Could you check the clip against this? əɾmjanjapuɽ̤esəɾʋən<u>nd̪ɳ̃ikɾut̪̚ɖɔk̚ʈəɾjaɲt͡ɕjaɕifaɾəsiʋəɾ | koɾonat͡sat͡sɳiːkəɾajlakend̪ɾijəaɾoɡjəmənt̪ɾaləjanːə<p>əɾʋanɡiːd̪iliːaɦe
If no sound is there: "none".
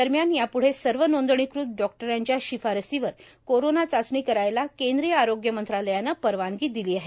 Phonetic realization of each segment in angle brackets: o, p

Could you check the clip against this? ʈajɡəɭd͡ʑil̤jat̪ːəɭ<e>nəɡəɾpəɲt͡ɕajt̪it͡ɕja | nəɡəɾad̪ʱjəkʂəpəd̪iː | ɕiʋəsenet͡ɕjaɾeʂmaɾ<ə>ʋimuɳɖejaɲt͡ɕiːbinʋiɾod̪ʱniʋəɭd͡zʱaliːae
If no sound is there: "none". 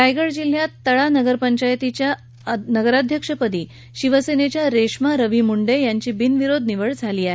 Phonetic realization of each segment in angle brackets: a, ə

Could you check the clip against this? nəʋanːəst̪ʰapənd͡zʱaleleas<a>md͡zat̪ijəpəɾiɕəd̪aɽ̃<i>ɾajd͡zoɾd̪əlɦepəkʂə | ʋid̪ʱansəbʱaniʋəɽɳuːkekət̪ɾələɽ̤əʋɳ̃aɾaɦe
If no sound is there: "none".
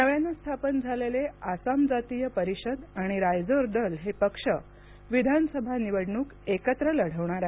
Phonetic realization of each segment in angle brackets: a, i

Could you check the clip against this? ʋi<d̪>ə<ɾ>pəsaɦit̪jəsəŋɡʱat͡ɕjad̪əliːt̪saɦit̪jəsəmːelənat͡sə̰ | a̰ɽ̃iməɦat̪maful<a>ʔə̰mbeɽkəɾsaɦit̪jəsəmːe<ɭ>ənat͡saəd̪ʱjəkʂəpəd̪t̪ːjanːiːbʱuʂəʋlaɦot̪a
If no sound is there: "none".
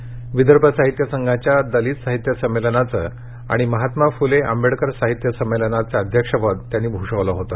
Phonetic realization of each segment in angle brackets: d̪, ɾ, e, l

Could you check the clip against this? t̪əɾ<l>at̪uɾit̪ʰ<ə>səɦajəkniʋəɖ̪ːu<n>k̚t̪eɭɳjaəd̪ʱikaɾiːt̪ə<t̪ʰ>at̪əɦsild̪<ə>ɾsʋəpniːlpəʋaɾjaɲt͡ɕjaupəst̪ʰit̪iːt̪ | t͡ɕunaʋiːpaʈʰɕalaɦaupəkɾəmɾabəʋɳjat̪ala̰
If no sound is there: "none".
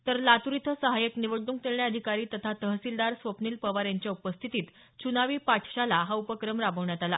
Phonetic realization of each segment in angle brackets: l, ə, ŋ, t̪ʰ, a

